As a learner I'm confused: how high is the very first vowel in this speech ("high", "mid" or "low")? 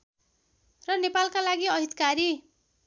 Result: mid